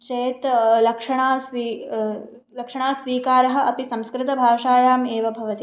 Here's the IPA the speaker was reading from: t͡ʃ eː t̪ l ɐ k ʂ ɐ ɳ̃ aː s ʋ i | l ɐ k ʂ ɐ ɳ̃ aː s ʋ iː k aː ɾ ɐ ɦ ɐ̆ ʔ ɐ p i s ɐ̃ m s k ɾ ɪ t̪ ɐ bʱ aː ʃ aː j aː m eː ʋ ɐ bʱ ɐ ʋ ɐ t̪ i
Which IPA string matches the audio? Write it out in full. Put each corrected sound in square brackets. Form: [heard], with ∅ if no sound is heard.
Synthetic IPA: t͡ʃ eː t̪ l ɐ k ʂ ɐ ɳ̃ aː s ʋ i | l ɐ k ʂ ɐ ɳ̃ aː s ʋ iː k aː ɾ ɐ ɦ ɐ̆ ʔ ɐ p i s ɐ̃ m s k ɾ ɪ t̪ ɐ bʱ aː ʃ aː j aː m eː ʋ ɐ bʱ ɐ ʋ ɐ t̪ i